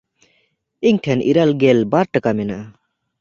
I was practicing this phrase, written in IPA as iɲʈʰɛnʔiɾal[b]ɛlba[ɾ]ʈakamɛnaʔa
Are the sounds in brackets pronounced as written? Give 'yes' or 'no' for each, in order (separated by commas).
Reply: no, yes